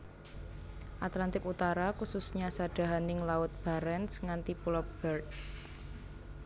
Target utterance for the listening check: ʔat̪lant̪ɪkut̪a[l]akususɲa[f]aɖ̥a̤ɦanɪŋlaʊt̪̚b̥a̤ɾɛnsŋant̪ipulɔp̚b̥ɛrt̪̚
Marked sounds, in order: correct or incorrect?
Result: incorrect: ɾ, incorrect: s

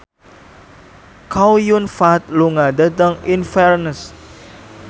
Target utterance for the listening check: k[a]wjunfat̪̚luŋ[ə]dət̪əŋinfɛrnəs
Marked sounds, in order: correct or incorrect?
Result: correct, incorrect: a

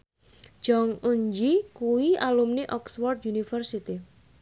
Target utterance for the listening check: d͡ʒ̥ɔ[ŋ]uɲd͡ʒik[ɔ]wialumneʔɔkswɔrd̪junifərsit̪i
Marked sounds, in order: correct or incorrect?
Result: correct, incorrect: u

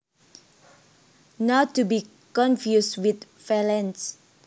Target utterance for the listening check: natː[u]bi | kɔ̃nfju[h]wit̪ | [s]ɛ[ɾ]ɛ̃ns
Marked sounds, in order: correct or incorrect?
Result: correct, incorrect: s, incorrect: f, incorrect: l

